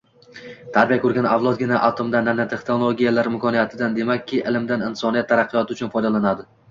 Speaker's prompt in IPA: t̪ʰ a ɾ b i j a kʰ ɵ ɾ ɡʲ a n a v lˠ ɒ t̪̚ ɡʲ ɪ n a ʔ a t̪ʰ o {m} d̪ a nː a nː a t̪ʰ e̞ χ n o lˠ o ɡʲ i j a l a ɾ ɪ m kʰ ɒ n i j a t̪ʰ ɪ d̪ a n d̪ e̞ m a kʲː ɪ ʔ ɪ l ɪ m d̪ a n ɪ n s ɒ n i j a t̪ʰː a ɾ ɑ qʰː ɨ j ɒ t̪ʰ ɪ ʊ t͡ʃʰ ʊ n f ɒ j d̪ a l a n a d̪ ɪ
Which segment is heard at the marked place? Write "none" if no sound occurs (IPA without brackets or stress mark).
m